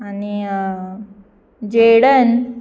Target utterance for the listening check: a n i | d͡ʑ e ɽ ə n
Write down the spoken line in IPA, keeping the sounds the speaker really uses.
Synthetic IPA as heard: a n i | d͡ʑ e ɽ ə n